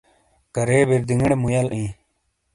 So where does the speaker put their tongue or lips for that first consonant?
velum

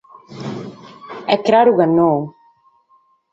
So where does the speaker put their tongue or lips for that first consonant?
velum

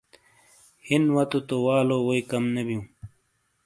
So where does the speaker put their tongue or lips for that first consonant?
throat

